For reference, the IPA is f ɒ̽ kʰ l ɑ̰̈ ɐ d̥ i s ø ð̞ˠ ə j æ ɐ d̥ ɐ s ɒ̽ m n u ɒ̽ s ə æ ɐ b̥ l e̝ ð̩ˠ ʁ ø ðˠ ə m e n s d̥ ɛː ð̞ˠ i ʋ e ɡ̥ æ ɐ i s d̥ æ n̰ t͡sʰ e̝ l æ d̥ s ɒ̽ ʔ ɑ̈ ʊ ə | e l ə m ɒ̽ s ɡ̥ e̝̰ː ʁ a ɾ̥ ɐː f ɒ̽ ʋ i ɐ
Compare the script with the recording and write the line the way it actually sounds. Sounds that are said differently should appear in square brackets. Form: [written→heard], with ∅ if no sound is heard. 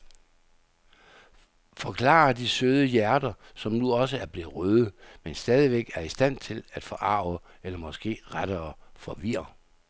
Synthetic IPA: f ɒ̽ kʰ l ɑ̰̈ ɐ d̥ i s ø ð̞ˠ ə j æ ɐ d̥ ɐ s ɒ̽ m n u ɒ̽ s ə æ ɐ b̥ l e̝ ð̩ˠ ʁ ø ðˠ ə m e n s d̥ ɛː ð̞ˠ i ʋ e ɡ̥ æ ɐ i s d̥ æ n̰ t͡sʰ e̝ l æ d̥ [s→f] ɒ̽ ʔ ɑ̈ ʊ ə | e l [ə→ɐ] m ɒ̽ s ɡ̥ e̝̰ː ʁ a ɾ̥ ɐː f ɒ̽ ʋ i ɐ